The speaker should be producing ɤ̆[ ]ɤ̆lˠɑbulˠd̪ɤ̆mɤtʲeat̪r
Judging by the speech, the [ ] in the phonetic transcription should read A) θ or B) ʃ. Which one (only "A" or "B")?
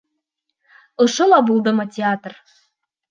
B